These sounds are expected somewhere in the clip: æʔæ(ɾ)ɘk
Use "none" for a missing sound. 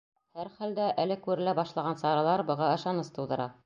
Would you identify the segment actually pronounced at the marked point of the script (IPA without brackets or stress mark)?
l